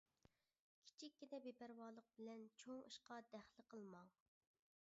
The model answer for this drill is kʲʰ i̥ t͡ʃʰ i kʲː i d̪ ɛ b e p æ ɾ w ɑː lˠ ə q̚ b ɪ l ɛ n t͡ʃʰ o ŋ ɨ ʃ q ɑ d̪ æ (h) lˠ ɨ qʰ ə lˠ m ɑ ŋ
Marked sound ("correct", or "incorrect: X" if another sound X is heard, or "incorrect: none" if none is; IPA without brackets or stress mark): incorrect: χ